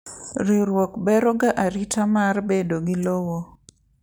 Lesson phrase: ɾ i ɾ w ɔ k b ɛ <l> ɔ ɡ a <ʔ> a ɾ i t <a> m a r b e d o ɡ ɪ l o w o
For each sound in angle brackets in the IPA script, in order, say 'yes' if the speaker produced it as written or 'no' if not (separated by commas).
no, yes, yes